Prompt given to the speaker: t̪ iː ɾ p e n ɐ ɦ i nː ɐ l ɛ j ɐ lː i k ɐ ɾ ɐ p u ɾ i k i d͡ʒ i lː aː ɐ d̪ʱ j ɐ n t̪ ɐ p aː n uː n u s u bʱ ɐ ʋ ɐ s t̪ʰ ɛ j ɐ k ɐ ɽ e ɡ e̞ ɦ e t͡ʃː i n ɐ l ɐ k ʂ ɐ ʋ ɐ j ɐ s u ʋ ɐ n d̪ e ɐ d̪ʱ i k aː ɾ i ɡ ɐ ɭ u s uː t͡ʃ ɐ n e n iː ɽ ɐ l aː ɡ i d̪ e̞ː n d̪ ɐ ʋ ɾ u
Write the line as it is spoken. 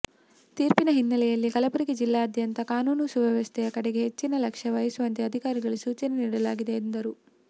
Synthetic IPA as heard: t̪ iː ɾ p i n ɐ ɦ i nː ɐ l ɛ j ɐ lː i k ɐ l ɐ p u ɾ i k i d͡ʒ i lː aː ɐ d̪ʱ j ɐ n t̪ ɐ k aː n uː n u s u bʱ ɐ ʋ ɐ s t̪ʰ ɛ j ɐ k ɐ ɽ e ɡ e̞ ɦ e t͡ʃː i n ɐ l ɐ k ʂ ɐ ʋ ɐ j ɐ s u ʋ ɐ n t̪ e ɐ d̪ʱ i k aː ɾ i ɡ ɐ ɭ u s uː t͡ʃ ɐ n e n iː ɽ ɐ l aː ɡ i d̪ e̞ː n d̪ ɐ ɾ u